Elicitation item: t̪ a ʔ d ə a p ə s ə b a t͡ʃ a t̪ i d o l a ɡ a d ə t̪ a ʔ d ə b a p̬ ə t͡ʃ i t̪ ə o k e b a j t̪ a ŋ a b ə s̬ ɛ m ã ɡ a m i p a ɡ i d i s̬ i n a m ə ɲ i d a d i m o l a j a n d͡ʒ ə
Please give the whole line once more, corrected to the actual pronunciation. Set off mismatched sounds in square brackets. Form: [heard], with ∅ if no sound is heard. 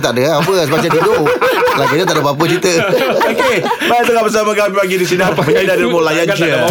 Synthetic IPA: t̪ a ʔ d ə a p ə s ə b a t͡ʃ a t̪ i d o l a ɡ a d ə t̪ a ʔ d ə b a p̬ ə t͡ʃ i t̪ ə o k e b a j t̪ [ə] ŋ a b ə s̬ [a] m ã ɡ a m i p a ɡ i d i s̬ i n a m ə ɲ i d a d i m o l a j a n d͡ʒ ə